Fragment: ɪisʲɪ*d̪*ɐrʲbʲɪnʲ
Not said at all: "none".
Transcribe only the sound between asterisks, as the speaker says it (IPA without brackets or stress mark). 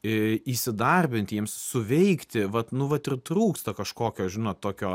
d̪